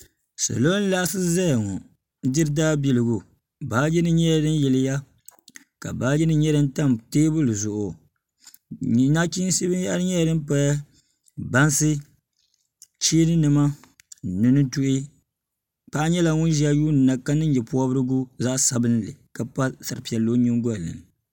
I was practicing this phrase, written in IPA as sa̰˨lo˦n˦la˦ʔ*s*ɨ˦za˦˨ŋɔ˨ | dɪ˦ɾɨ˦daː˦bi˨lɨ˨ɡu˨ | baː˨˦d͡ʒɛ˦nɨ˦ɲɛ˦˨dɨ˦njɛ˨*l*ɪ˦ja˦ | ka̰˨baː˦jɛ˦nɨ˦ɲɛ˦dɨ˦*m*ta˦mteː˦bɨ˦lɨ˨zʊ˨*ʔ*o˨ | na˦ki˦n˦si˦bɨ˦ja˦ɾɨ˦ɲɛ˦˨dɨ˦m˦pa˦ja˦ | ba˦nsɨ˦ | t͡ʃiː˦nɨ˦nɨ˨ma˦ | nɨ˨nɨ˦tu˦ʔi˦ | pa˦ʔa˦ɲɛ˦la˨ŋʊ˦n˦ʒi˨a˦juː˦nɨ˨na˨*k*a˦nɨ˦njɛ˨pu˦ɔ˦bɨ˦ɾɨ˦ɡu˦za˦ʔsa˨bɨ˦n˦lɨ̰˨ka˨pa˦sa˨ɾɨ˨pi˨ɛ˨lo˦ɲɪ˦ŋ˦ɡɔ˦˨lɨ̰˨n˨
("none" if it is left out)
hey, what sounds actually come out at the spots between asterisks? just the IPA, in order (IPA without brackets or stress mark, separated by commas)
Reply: s, l, n, ʔ, k